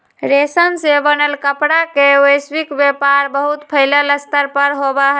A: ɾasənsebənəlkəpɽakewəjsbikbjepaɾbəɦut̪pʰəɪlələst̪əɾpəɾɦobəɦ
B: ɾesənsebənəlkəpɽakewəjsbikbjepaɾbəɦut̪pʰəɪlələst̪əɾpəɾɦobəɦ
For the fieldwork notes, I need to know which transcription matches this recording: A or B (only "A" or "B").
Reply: B